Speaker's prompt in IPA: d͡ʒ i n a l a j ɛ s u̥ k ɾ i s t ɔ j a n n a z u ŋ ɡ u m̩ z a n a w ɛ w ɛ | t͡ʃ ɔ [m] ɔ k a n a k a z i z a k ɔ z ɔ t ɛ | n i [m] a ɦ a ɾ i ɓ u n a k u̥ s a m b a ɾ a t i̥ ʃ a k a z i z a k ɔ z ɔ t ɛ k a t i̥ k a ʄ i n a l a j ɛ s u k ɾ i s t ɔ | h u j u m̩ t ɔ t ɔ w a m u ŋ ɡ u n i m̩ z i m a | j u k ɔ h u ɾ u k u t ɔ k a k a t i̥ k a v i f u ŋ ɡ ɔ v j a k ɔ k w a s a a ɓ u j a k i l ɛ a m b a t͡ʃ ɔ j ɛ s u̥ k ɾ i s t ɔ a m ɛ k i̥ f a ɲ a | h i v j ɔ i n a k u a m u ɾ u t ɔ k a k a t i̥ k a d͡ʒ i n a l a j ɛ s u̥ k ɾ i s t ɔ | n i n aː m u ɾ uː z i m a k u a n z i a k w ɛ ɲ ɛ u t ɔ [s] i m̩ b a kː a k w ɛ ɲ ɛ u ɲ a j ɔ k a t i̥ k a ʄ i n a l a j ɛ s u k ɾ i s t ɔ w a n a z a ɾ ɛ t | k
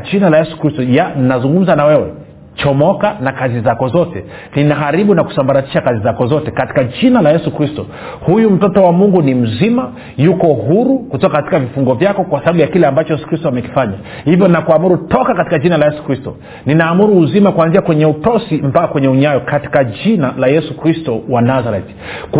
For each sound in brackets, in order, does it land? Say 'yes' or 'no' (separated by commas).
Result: yes, no, yes